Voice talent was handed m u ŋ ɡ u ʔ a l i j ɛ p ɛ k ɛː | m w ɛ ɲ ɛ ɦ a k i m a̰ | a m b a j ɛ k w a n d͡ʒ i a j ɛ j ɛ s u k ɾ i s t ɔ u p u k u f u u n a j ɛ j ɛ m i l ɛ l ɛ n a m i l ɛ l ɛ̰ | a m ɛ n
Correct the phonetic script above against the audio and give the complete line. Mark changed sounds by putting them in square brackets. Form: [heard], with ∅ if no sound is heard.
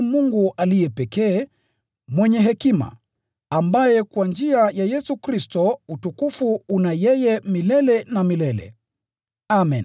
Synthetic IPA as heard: m u ŋ ɡ u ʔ a l i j ɛ p ɛ k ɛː | m w ɛ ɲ ɛ ɦ [ɛ] k i m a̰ | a m b a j ɛ k w a n d͡ʒ i a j [a] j ɛ s u k ɾ i s t ɔ u [t] u k u f u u n a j ɛ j ɛ m i l ɛ l ɛ n a m i l ɛ l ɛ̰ | a m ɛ n